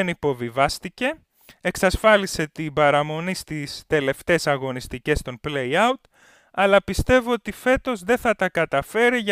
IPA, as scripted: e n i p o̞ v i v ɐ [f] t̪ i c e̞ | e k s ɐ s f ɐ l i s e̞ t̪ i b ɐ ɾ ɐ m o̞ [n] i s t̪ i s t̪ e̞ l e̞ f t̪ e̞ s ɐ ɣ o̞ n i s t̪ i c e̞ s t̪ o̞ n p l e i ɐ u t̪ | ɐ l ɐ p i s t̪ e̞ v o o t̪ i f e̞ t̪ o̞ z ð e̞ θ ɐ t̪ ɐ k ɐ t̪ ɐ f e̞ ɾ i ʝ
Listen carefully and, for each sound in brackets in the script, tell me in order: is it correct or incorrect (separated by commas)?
incorrect, correct